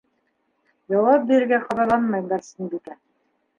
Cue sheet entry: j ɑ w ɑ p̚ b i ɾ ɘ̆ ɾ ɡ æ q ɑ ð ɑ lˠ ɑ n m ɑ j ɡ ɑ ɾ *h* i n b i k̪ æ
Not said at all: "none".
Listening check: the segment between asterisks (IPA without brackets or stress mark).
s